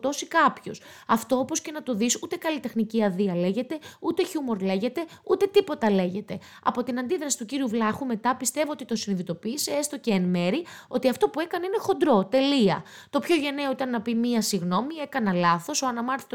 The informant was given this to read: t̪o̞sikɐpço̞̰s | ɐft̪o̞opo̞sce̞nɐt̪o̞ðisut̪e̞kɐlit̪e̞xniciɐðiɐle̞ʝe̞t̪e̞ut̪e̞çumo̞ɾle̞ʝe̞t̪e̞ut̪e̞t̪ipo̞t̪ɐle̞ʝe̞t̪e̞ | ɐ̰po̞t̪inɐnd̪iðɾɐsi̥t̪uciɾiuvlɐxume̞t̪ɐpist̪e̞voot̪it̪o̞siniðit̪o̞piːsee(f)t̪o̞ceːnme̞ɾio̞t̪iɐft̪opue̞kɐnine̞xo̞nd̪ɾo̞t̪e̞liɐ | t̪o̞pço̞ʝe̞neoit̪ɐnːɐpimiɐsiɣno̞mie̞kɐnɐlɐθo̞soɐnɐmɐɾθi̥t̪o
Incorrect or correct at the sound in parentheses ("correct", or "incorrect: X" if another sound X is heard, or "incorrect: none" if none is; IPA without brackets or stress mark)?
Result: incorrect: s